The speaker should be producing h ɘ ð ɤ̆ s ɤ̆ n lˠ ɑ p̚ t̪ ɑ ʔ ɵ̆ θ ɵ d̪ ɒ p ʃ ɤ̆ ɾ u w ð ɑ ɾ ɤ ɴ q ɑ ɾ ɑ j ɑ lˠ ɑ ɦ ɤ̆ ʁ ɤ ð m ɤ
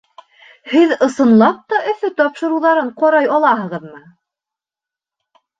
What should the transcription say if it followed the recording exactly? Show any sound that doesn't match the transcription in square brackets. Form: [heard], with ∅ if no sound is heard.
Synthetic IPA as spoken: h ɘ ð ɤ̆ s ɤ̆ n lˠ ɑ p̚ t̪ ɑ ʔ ɵ̆ θ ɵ [t̪] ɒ p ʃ ɤ̆ ɾ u w ð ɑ ɾ ɤ ɴ q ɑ ɾ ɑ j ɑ lˠ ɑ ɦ ɤ̆ ʁ ɤ ð m ɤ